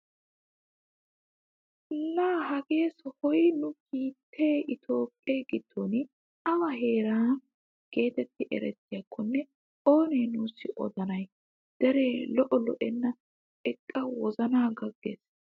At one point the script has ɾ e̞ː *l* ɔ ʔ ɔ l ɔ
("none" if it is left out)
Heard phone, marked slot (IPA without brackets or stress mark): l